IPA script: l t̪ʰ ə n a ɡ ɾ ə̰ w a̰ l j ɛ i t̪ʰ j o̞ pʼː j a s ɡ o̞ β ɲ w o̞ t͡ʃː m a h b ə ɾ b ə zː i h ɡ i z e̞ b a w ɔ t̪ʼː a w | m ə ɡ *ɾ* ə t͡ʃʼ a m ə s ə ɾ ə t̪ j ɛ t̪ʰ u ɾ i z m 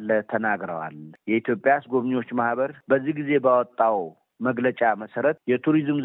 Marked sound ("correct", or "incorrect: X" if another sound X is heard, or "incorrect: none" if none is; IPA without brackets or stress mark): incorrect: l